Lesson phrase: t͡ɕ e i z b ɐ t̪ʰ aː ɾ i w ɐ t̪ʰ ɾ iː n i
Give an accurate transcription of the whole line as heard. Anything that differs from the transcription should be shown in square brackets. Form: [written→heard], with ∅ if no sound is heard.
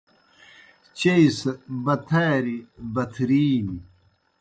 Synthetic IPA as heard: t͡ɕ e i [z→s] b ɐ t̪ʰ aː ɾ i [w→b] ɐ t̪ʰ ɾ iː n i